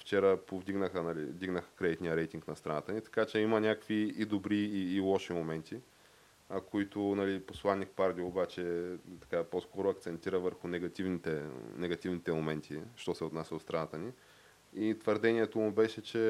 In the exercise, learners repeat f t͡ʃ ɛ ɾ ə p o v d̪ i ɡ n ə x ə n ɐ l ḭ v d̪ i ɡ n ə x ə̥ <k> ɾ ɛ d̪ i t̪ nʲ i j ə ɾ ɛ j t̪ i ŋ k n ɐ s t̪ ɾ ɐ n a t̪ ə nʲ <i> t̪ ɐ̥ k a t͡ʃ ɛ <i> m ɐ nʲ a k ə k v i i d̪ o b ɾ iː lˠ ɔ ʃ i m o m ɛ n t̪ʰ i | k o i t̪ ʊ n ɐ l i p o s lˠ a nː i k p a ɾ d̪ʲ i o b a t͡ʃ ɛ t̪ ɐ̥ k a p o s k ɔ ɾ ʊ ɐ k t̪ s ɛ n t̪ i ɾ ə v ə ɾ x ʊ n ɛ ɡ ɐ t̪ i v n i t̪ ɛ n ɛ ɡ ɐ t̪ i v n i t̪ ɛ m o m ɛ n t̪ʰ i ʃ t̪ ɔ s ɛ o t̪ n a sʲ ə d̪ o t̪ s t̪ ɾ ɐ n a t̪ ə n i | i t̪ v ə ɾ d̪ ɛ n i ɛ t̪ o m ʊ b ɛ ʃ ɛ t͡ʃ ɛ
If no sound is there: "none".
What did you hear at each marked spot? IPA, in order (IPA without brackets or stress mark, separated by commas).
k, i, i